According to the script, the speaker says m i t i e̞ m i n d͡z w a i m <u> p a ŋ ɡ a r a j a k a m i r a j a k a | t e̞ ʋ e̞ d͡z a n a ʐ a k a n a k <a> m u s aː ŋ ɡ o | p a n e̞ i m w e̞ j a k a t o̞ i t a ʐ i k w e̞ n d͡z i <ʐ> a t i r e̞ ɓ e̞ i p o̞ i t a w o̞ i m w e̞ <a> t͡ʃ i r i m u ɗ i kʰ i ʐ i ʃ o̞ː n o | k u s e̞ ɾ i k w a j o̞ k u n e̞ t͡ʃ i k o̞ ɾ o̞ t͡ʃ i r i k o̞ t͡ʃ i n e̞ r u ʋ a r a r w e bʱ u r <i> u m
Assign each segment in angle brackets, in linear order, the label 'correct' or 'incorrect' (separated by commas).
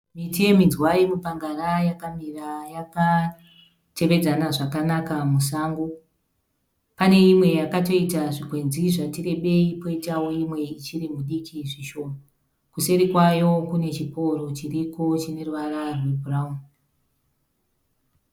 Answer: correct, correct, correct, incorrect, incorrect